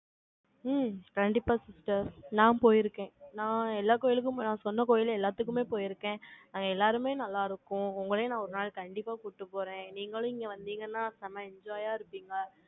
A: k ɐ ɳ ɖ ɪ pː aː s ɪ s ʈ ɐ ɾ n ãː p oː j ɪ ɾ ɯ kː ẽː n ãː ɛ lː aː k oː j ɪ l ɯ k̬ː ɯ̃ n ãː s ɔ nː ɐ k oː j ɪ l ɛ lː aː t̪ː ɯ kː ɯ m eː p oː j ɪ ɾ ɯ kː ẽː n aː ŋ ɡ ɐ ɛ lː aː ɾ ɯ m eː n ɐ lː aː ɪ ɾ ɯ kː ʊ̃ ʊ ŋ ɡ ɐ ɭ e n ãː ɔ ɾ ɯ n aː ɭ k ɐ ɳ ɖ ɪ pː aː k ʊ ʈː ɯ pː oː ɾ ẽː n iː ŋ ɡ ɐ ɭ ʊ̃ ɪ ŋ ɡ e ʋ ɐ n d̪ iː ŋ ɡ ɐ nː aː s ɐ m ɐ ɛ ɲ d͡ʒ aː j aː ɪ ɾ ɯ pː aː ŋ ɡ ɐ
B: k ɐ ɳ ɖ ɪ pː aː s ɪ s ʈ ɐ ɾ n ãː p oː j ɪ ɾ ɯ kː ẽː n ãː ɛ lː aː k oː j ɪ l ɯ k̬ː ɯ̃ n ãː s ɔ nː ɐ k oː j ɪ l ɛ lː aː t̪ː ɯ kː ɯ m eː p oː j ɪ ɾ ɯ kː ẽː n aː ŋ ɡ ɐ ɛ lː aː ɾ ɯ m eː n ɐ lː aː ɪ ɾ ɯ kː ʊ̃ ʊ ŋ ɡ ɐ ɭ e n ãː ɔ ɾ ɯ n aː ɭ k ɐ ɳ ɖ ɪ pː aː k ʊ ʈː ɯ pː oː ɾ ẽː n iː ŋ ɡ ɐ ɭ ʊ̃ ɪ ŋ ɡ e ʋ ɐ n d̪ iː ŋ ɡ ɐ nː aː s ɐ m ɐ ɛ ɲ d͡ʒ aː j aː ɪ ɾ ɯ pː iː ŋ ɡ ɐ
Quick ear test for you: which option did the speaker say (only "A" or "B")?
B